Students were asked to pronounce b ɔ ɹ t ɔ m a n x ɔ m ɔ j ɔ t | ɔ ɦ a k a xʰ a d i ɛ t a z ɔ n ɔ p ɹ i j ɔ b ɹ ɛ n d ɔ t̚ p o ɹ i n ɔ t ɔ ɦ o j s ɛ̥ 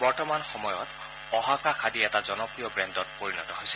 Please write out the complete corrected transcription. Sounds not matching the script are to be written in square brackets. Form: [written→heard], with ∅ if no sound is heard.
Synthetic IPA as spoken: b ɔ ɹ t ɔ m a n x ɔ m ɔ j ɔ t | ɔ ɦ a k a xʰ a d i ɛ t a z ɔ n ɔ p ɹ i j ɔ b ɹ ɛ n d ɔ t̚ p o ɹ i n ɔ t ɔ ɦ o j s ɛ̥